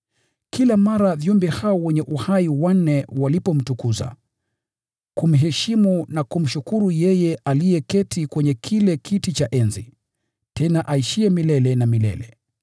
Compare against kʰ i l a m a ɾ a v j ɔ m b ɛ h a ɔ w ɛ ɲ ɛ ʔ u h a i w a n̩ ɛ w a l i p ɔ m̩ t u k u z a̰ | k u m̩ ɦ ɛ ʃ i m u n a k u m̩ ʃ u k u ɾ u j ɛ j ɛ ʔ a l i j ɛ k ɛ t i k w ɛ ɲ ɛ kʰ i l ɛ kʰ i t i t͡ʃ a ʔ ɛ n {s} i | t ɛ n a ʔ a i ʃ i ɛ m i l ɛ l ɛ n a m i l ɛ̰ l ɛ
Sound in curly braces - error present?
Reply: yes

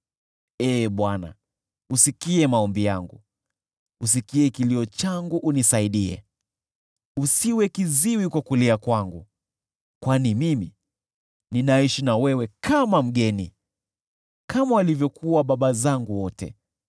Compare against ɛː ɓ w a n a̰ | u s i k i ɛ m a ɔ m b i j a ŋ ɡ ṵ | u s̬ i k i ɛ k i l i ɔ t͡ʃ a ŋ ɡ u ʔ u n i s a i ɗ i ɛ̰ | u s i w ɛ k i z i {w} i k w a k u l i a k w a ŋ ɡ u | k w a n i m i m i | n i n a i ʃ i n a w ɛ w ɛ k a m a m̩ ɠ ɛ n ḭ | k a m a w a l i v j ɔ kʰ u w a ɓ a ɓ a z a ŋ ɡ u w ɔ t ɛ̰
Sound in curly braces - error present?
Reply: no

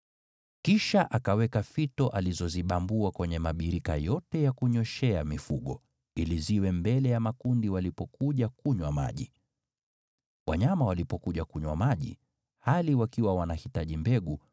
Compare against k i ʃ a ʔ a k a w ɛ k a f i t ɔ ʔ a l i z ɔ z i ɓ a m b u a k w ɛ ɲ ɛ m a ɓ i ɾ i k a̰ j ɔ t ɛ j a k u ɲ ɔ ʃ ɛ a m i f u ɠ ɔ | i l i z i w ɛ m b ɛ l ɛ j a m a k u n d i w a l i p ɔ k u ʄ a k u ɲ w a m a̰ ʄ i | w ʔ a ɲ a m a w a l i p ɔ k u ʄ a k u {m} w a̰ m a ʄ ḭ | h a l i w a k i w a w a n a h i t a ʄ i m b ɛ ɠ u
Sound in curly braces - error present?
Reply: yes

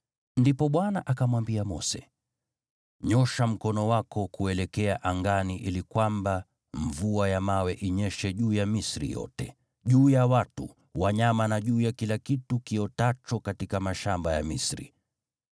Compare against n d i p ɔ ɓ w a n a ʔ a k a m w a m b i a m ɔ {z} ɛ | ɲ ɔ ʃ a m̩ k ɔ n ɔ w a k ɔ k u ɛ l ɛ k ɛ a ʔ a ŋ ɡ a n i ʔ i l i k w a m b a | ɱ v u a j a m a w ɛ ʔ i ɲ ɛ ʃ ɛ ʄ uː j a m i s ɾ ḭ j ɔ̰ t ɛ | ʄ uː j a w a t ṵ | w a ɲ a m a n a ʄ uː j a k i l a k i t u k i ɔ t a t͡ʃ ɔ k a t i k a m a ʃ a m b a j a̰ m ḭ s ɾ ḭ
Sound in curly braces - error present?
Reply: yes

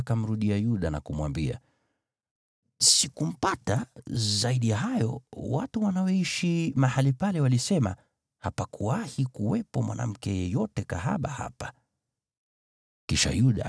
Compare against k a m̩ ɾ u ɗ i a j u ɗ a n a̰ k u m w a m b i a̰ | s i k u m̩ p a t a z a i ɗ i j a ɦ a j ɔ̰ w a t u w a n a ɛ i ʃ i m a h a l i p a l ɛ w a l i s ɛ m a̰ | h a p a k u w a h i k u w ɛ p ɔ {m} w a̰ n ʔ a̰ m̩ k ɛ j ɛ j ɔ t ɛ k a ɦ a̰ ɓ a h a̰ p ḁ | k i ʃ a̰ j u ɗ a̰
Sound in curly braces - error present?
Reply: no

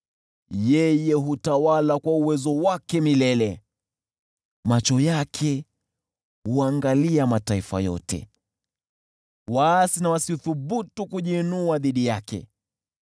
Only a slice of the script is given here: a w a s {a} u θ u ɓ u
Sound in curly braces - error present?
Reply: yes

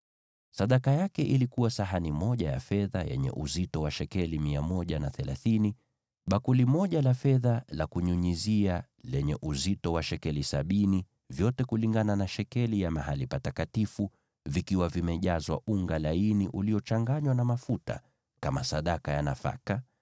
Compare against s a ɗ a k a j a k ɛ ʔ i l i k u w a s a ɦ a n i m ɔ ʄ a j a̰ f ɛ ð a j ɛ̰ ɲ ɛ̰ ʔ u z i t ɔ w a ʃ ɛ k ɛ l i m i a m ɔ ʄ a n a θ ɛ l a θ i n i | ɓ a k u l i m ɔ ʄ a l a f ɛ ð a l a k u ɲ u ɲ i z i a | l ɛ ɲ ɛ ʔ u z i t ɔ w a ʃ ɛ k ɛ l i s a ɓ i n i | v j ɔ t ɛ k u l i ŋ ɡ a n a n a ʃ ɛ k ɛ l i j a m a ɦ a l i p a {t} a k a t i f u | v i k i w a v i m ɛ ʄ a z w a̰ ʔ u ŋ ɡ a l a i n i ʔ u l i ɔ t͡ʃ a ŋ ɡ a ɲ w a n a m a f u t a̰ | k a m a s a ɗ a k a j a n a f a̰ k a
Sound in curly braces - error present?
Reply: no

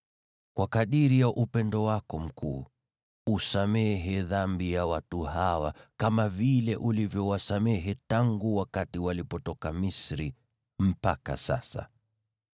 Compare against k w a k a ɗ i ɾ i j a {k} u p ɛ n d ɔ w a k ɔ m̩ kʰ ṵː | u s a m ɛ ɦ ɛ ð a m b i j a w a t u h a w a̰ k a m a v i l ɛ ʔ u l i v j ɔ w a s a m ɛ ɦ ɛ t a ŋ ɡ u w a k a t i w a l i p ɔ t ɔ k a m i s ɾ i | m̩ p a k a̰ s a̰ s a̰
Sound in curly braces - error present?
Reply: yes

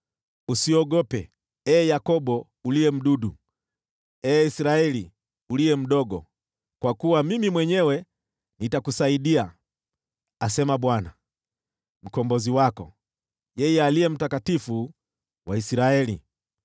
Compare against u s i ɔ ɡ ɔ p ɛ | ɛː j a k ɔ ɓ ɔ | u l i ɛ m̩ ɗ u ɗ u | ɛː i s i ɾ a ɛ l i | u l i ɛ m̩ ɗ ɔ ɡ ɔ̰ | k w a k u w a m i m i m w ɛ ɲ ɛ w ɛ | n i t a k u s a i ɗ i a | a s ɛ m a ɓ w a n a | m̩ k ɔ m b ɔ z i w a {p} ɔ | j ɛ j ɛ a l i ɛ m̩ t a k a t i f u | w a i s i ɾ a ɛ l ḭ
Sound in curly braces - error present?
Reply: yes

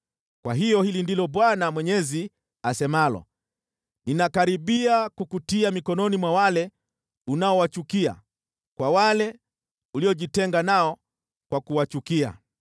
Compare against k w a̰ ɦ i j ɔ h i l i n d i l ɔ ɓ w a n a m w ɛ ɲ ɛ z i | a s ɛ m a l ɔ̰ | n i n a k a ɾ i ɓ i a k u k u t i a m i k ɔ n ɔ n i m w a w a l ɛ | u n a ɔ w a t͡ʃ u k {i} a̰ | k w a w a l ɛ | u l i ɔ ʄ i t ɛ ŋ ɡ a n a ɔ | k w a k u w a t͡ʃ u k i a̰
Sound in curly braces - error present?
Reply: no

